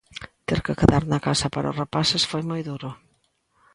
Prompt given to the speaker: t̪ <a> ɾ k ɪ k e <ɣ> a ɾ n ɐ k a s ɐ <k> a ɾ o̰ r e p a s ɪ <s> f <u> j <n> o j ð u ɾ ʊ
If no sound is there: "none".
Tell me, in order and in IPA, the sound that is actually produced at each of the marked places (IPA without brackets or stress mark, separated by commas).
e, ð, p, s, o, m